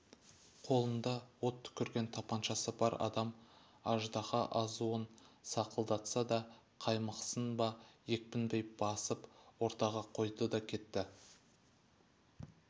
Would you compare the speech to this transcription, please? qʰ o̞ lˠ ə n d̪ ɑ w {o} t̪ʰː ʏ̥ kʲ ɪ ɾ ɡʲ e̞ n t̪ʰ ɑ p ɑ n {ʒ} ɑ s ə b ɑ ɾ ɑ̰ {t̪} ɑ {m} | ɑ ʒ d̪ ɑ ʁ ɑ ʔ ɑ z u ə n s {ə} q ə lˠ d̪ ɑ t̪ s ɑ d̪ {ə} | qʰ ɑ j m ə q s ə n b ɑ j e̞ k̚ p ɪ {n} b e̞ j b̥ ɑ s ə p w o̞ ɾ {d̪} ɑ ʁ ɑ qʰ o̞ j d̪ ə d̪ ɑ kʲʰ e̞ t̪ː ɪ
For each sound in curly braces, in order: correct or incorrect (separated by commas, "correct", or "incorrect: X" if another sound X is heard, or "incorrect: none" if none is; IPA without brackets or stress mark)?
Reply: correct, incorrect: ʃ, incorrect: d̪, correct, incorrect: ɑ, incorrect: ɑ, correct, incorrect: t̪